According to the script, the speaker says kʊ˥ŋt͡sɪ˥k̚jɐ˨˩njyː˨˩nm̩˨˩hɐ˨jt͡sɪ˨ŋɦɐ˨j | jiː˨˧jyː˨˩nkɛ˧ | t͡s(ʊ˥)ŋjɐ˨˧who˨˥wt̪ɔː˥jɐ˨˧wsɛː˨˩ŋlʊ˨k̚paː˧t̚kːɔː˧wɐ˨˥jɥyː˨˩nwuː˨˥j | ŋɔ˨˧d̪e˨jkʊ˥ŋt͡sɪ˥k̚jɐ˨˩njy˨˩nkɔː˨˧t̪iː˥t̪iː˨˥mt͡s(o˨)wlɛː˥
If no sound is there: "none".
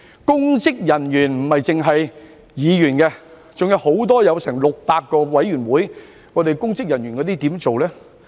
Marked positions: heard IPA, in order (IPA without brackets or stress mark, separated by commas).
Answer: ʊ˨, o˨